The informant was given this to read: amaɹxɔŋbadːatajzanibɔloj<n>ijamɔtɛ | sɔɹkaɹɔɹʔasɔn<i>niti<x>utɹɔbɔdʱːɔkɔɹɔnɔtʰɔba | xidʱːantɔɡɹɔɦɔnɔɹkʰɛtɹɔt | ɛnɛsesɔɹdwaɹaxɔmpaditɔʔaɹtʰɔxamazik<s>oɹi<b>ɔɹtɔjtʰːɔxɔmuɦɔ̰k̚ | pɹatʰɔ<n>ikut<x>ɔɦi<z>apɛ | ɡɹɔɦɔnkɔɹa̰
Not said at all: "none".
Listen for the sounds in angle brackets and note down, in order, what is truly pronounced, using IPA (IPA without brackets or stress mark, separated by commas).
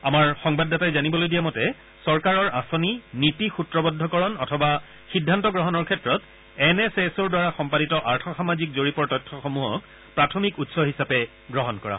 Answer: d, i, x, z, p, m, s, s